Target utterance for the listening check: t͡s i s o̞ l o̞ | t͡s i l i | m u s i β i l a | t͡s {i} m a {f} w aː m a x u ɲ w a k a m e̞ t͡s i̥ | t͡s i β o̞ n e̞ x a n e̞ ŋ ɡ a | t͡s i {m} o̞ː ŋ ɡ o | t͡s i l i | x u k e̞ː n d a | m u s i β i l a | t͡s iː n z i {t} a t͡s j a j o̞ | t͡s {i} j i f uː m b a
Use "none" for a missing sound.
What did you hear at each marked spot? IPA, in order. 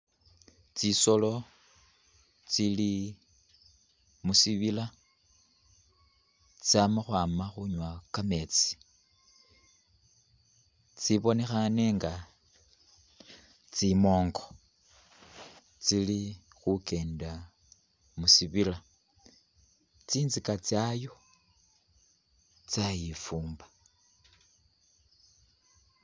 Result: a, x, m, k, a

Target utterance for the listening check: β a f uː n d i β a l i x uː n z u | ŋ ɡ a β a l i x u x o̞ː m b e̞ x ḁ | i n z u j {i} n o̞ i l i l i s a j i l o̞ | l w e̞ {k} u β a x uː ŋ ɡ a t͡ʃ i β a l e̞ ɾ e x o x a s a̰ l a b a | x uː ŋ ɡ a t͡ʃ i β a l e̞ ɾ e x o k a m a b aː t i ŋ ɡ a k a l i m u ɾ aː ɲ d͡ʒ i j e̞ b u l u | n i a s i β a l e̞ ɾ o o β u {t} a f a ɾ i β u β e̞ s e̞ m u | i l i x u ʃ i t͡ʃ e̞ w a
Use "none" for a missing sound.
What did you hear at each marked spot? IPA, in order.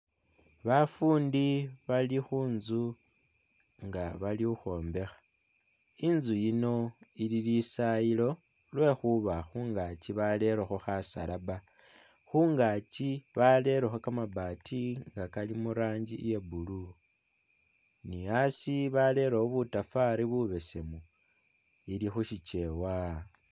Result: i, x, t

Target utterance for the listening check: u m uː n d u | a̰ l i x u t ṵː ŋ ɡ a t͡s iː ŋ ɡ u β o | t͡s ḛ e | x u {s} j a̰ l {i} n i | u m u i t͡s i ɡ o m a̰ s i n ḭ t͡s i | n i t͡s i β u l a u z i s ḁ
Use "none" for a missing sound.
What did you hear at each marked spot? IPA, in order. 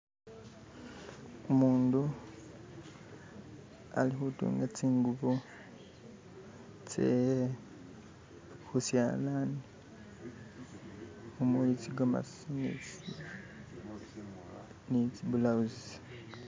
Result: s, a

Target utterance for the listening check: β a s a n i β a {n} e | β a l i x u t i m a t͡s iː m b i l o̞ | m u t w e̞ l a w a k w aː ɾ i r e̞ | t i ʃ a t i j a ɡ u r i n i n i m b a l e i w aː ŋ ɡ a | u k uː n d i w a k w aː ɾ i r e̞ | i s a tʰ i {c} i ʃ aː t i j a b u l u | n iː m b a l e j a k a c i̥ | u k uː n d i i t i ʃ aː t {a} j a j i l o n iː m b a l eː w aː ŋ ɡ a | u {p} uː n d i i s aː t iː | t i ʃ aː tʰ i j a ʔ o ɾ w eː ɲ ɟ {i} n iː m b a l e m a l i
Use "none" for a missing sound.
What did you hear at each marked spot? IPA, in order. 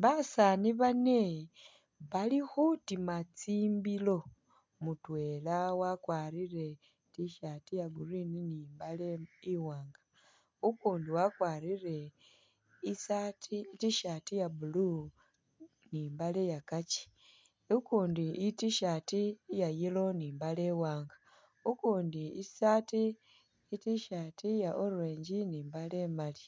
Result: n, t, i, k, i

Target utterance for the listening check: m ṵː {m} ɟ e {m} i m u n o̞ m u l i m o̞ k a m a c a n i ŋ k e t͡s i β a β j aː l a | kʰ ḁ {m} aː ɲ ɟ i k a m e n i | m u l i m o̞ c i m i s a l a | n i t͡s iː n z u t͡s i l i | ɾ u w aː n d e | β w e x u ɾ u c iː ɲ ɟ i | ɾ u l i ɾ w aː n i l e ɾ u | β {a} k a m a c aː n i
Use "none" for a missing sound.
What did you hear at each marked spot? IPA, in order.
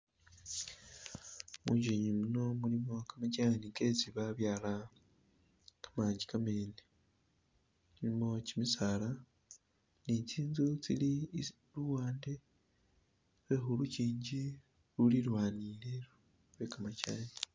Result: ɲ, ɲ, m, e

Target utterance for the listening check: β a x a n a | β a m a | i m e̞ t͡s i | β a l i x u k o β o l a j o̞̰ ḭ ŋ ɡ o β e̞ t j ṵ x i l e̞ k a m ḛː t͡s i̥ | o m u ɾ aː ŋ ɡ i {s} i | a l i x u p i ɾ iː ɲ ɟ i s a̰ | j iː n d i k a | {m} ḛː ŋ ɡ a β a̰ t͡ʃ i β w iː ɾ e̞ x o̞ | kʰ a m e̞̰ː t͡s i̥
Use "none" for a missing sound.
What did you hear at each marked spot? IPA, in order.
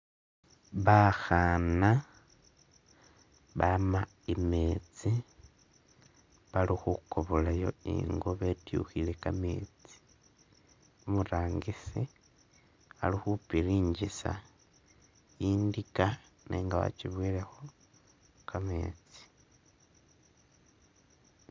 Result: s, n

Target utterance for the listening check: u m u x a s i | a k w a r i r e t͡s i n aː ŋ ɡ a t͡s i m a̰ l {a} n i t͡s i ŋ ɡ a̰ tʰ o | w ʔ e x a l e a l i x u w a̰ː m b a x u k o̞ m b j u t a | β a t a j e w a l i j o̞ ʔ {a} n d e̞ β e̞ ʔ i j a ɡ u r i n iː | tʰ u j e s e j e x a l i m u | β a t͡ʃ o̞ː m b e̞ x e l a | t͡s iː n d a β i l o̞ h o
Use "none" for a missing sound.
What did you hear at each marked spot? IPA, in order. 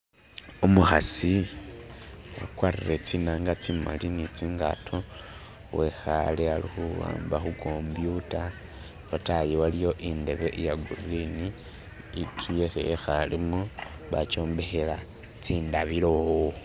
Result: i, i

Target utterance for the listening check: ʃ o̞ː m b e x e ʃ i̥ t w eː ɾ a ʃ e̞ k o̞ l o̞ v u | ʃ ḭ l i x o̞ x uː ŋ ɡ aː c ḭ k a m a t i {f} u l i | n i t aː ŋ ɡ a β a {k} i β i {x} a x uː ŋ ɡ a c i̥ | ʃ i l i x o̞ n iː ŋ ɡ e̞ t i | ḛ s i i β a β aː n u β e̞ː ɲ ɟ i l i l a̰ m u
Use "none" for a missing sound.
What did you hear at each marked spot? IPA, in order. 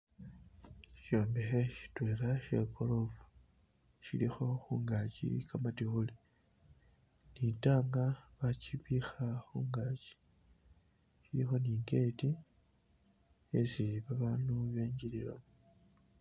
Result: x, c, x

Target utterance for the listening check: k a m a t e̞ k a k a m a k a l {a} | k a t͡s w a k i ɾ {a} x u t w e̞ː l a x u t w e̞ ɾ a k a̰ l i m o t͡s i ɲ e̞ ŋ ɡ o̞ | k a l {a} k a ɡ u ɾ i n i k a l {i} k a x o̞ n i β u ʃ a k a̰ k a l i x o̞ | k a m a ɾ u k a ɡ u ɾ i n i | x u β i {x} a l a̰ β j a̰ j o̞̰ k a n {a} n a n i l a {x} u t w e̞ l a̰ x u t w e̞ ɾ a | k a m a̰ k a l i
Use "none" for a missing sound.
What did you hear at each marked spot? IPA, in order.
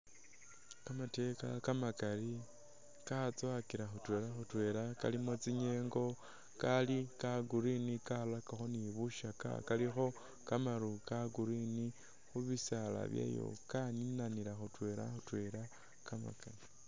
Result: i, a, i, a, s, i, x

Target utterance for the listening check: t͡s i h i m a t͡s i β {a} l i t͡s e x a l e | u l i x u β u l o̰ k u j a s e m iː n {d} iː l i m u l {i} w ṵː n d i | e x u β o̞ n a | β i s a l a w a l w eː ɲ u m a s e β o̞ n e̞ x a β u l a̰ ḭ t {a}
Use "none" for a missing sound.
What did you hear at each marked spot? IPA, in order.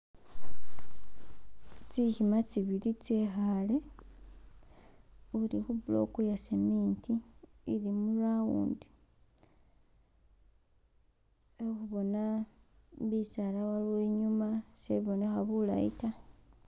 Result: i, t, a, a

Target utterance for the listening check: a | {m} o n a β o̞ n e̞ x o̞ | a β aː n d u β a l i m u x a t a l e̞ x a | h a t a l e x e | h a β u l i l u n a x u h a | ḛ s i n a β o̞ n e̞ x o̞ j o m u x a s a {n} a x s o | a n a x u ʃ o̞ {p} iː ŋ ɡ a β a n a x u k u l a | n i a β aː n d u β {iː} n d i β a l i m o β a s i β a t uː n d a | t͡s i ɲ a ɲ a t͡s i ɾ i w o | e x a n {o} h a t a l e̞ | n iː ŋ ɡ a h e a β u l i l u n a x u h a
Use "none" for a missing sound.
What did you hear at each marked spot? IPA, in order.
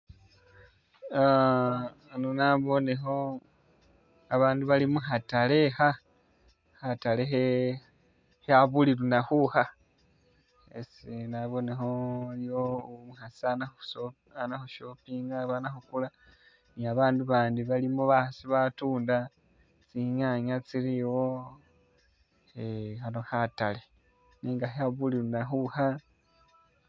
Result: n, n, p, aː, o

